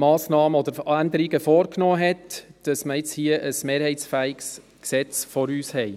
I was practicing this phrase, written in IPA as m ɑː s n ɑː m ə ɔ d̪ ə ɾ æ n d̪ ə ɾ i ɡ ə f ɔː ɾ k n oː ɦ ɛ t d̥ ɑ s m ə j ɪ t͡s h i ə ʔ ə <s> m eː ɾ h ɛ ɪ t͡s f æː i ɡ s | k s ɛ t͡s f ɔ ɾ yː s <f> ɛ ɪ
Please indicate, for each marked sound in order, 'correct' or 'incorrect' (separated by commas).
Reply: correct, incorrect